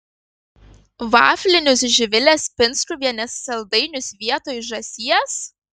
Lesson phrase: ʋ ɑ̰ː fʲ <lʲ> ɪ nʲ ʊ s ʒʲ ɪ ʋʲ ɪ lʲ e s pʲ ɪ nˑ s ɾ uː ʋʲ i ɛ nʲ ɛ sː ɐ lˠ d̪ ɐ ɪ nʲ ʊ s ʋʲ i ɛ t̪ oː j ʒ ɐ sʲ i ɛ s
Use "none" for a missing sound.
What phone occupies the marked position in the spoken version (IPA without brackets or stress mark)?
lʲ